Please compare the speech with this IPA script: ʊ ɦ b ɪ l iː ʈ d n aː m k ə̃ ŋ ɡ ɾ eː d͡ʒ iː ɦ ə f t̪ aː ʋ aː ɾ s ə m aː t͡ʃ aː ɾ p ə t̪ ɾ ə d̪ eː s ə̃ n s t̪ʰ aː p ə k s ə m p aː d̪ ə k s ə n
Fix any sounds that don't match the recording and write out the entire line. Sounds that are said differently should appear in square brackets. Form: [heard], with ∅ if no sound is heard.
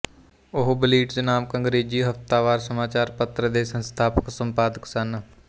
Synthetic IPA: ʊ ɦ b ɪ l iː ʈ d n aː m k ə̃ ŋ ɡ ɾ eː d͡ʒ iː ɦ ə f t̪ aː ʋ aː ɾ s ə m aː t͡ʃ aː ɾ p ə t̪ ɾ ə d̪ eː s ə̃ n s t̪ʰ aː p ə k s ə m p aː d̪ ə k s ə n

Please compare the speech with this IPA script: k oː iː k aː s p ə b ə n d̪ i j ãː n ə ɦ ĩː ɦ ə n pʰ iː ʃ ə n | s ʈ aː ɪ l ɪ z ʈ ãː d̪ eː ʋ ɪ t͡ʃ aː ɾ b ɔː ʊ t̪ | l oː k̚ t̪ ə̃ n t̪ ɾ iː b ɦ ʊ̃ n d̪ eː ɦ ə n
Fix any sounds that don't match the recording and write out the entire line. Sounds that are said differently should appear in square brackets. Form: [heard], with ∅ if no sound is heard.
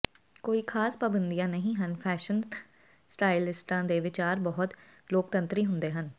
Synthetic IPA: k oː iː [kʰ] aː s p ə b ə n d̪ i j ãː n ə ɦ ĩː ɦ ə n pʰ [ɛː] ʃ ə n | s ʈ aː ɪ l ɪ [s] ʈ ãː d̪ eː ʋ ɪ t͡ʃ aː ɾ b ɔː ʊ t̪ | l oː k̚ t̪ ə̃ n t̪ ɾ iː [∅] ɦ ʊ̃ n d̪ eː ɦ ə n

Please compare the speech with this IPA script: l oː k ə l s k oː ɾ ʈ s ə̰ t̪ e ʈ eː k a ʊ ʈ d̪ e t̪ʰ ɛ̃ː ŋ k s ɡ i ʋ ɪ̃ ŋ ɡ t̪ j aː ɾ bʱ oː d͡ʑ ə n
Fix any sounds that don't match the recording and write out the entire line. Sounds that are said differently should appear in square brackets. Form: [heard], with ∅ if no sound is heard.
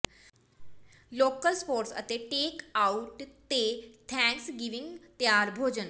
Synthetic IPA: l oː k ə l s [p] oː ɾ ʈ s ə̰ t̪ e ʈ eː k a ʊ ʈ [t̪] e t̪ʰ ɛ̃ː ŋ k s ɡ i ʋ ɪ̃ ŋ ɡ t̪ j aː ɾ bʱ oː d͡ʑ ə n

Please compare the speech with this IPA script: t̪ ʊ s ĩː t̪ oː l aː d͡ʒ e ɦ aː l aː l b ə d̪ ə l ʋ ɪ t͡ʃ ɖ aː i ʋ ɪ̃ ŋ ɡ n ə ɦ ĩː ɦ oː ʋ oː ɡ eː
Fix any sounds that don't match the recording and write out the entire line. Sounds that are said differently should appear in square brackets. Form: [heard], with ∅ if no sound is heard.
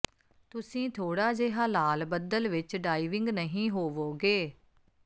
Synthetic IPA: t̪ ʊ s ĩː [t̪ʰ] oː [ɽ] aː d͡ʒ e ɦ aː l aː l b ə d̪ ə l ʋ ɪ t͡ʃ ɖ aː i ʋ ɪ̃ ŋ ɡ n ə ɦ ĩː ɦ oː ʋ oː ɡ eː

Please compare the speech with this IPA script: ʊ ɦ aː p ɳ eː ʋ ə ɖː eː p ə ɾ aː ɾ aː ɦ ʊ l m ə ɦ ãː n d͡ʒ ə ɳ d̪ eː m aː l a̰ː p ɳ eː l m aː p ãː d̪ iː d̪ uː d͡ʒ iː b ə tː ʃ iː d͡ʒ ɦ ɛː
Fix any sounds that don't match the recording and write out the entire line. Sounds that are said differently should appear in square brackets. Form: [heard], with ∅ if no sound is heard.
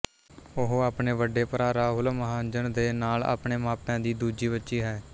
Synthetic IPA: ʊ ɦ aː p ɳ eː ʋ ə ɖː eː p ə ɾ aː ɾ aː ɦ ʊ l m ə ɦ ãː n d͡ʒ ə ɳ d̪ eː [n] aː l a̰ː p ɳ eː [∅] m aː p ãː d̪ iː d̪ uː d͡ʒ iː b ə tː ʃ iː [∅] ɦ ɛː

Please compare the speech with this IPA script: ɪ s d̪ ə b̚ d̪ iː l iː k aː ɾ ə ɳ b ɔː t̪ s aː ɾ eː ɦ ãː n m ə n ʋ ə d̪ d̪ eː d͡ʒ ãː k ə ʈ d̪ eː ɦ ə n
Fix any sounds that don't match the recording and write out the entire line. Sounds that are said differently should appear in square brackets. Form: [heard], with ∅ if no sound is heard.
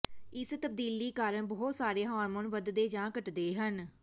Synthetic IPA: ɪ s [t̪] ə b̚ d̪ iː l iː k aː ɾ ə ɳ b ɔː t̪ s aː ɾ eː ɦ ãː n m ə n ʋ ə d̪ d̪ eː d͡ʒ ãː k ə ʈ d̪ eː ɦ ə n

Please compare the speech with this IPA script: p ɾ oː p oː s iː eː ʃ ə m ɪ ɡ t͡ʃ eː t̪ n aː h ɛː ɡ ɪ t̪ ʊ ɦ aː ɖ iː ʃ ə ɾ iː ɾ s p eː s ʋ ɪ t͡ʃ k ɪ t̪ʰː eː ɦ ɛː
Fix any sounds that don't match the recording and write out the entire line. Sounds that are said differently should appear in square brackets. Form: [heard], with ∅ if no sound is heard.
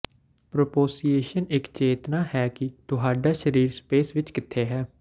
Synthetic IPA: p ɾ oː p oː s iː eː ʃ ə [n] ɪ [k] t͡ʃ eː t̪ n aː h ɛː [k] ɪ t̪ ʊ ɦ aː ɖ [aː] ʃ ə ɾ iː ɾ s p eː s ʋ ɪ t͡ʃ k ɪ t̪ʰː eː ɦ ɛː

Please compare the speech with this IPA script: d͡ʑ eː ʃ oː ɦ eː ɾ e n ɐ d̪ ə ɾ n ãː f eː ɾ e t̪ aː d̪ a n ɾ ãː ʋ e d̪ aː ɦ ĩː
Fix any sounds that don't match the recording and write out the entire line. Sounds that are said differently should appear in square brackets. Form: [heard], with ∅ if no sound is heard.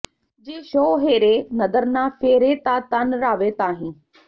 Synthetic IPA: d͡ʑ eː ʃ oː ɦ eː ɾ e n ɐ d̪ ə ɾ n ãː f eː ɾ e t̪ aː [t̪] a n ɾ [aː] ʋ e [t̪] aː ɦ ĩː

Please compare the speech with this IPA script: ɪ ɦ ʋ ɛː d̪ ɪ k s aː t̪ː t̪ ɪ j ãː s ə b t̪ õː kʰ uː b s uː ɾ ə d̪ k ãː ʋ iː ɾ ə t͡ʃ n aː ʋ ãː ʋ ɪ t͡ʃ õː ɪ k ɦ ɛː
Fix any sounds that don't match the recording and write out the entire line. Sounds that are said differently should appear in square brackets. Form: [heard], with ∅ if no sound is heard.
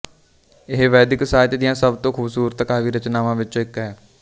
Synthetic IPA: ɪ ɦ ʋ ɛː d̪ ɪ k s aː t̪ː [d̪] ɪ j ãː s ə b t̪ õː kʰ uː b s uː ɾ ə [t̪] k [aː] ʋ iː ɾ ə t͡ʃ n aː ʋ ãː ʋ ɪ t͡ʃ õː ɪ k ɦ ɛː

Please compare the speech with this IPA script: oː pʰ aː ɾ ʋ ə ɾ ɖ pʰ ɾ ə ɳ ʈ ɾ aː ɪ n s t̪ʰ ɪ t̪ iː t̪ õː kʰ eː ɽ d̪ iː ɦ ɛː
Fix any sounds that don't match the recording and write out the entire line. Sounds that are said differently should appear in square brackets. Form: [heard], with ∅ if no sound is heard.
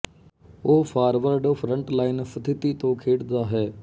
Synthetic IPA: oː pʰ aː ɾ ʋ ə ɾ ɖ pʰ ɾ ə ɳ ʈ [l] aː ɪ n s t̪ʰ ɪ t̪ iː t̪ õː kʰ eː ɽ d̪ [aː] ɦ ɛː

